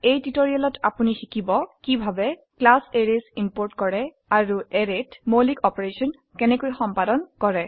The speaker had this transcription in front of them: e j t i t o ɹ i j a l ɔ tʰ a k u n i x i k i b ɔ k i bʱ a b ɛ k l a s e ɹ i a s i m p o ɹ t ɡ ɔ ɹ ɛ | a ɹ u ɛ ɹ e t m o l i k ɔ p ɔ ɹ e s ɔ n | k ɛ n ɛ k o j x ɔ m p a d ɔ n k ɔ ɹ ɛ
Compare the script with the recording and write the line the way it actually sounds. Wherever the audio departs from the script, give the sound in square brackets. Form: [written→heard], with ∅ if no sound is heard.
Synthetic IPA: e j t i t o ɹ i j a l ɔ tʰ a [k→p] u n i x i k i b ɔ k i bʱ a b ɛ k l a s e ɹ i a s i m p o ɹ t [ɡ→k] ɔ ɹ ɛ | a ɹ u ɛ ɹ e t m o l i k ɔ p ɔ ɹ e s ɔ n | k ɛ n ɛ k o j x ɔ m p a d ɔ n k ɔ ɹ ɛ